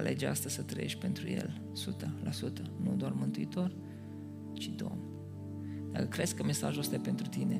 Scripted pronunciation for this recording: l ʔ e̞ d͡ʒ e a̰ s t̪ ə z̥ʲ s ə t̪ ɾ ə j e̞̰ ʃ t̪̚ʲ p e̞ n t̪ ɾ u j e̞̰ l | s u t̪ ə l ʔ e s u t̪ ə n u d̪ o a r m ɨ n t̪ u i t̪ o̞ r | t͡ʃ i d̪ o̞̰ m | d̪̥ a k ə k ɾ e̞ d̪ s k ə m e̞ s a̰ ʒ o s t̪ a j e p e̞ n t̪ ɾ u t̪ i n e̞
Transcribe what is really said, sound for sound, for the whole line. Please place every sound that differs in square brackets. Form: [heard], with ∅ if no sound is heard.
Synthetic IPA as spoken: l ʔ e̞ d͡ʒ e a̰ s t̪ ə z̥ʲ s ə t̪ ɾ ə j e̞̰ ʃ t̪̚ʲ p e̞ n t̪ ɾ u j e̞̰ l | s u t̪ ə l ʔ [a] s u t̪ ə n u d̪ o a r m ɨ n t̪ u i t̪ o̞ r | t͡ʃ i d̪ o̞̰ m | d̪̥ a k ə k ɾ e̞ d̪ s k ə m e̞ s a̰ ʒ o s t̪ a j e p e̞ n t̪ ɾ u t̪ i n e̞